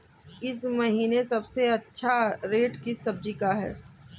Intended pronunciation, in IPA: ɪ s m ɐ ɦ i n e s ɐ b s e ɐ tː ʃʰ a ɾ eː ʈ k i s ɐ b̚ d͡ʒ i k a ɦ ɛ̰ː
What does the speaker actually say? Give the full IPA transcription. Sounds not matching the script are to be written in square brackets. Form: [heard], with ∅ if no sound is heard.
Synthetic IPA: ɪ s m ɐ ɦ [iː] n e s ɐ b s e ɐ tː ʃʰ a ɾ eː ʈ k i s ɐ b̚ d͡ʒ i k a ɦ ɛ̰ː